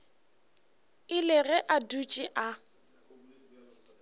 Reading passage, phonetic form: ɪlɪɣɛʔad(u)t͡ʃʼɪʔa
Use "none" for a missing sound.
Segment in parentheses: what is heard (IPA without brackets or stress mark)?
u